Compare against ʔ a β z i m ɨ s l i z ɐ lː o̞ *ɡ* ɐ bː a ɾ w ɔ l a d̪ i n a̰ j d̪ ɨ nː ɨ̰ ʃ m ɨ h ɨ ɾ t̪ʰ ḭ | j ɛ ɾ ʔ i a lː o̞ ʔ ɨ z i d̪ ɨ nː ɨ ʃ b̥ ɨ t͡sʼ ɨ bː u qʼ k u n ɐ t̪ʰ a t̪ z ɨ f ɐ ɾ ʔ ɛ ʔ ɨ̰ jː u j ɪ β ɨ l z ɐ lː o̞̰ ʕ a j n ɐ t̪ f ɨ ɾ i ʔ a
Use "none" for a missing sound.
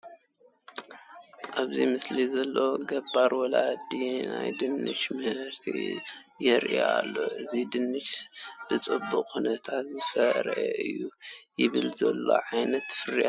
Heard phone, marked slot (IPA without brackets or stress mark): ɡ